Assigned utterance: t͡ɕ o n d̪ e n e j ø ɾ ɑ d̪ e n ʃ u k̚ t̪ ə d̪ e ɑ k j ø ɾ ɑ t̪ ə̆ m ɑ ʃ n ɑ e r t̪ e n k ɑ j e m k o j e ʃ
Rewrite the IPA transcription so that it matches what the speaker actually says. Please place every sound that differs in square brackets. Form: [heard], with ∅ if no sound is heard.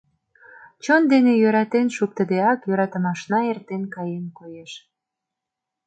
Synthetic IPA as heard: t͡ɕ o n d̪ e n e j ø ɾ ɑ [t̪] e n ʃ u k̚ t̪ ə d̪ e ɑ k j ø ɾ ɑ t̪ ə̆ m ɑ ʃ n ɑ e r t̪ e n k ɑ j e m k o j e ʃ